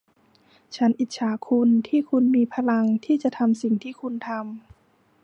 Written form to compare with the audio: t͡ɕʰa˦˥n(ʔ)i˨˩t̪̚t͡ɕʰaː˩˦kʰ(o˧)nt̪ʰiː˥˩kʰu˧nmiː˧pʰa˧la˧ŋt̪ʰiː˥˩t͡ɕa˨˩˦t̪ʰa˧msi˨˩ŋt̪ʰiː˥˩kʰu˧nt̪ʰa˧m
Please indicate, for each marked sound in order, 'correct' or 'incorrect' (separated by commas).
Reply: correct, incorrect